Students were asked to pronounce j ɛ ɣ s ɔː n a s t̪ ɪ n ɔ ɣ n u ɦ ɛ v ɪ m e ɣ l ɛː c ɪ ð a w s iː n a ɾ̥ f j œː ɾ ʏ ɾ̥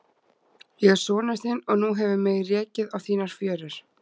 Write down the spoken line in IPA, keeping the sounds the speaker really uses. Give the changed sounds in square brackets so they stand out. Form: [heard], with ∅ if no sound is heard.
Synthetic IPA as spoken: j ɛ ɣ s ɔː n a s t̪ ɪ n ɔ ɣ n u ɦ ɛ v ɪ m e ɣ [r] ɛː c ɪ ð a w [θ] iː n a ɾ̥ f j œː ɾ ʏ ɾ̥